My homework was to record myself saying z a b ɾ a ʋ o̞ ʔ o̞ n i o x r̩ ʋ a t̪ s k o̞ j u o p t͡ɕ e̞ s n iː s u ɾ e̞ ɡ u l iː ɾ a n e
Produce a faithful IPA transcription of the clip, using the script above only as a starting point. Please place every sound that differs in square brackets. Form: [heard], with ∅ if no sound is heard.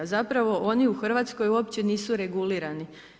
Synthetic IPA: z a [p] ɾ a ʋ o̞ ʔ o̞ n i [u] x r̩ ʋ a t̪ s k o̞ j u o p t͡ɕ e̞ [∅] n iː s u ɾ e̞ ɡ u l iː ɾ a n [i]